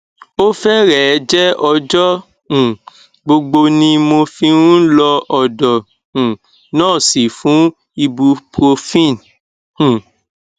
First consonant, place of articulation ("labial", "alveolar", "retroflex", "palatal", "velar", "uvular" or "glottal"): labial